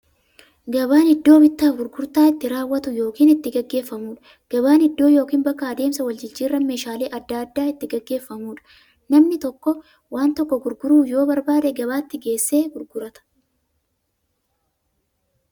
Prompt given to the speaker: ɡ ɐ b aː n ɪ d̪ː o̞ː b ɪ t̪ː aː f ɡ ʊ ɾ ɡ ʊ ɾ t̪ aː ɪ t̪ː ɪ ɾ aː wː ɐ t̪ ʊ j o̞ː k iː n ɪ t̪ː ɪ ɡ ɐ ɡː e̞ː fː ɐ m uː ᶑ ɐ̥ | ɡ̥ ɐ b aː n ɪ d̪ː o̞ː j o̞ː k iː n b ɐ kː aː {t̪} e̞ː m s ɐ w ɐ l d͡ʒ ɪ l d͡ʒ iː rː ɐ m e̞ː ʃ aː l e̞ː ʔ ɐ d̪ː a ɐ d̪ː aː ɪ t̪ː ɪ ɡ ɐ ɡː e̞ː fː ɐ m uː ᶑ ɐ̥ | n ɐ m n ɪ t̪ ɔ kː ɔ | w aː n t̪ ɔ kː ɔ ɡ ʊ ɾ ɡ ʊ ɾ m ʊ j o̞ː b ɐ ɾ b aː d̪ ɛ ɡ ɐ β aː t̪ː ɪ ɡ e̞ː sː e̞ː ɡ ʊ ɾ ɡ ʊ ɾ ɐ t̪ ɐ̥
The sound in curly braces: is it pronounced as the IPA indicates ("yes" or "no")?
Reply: no